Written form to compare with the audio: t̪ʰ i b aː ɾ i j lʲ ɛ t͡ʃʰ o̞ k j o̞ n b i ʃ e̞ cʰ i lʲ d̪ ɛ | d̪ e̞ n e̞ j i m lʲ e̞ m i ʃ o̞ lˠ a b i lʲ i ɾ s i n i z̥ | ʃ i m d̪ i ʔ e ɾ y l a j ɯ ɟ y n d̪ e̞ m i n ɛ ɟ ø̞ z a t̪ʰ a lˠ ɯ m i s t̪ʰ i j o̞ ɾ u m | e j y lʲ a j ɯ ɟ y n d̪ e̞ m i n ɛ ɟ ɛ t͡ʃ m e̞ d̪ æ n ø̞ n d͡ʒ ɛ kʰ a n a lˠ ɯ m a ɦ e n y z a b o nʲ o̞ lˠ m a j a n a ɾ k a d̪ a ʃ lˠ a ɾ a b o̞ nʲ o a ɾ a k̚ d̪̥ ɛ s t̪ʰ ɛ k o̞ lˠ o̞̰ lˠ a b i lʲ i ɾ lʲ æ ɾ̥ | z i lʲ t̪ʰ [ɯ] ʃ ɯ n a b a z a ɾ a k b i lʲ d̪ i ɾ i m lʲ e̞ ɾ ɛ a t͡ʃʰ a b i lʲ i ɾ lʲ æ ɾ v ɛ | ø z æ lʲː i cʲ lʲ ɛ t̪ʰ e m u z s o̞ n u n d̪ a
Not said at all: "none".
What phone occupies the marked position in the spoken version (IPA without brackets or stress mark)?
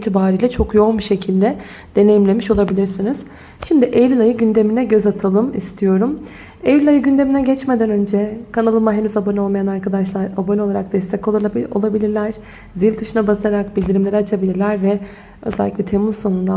ɯ